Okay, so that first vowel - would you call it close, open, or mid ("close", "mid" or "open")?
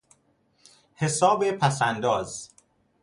mid